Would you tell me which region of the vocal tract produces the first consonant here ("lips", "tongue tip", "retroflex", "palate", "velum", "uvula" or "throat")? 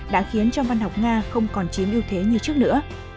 tongue tip